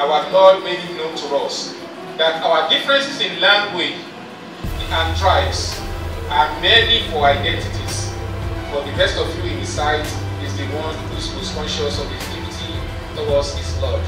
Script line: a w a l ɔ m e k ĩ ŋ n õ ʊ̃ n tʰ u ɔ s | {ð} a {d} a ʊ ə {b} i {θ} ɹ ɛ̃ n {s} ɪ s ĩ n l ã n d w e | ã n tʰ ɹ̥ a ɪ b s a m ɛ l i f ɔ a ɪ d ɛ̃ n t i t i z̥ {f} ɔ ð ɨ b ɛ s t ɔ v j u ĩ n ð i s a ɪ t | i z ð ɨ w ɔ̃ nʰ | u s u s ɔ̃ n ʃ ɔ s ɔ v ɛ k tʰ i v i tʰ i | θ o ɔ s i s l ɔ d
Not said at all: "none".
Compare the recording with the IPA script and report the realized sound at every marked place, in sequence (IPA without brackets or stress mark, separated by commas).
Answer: ð, t, d, f, s, f